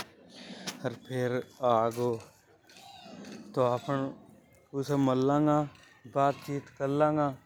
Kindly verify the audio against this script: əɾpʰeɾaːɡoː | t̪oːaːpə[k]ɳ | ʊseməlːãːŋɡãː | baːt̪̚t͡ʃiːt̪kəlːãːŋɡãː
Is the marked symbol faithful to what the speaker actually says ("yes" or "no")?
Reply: no